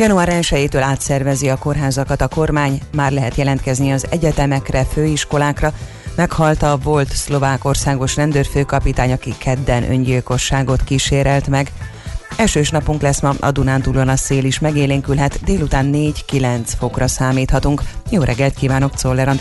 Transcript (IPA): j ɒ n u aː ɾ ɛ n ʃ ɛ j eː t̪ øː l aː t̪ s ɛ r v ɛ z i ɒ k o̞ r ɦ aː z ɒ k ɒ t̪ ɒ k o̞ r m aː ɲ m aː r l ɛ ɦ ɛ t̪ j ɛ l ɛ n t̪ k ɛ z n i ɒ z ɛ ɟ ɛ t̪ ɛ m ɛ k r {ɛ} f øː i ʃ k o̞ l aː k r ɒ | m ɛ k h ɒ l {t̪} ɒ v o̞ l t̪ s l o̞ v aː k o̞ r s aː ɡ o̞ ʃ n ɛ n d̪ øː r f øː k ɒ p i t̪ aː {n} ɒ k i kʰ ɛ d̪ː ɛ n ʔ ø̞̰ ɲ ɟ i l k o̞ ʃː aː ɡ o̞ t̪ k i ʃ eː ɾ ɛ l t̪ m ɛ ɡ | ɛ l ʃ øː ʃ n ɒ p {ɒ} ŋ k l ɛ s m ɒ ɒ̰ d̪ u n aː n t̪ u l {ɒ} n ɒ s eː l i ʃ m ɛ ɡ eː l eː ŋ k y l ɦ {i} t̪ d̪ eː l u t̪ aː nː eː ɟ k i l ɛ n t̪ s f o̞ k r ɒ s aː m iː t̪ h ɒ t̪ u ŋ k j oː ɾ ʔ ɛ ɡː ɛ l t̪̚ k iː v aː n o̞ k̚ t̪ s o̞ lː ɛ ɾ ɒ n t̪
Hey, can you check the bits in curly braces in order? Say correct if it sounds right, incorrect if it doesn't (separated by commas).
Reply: correct, correct, incorrect, incorrect, incorrect, incorrect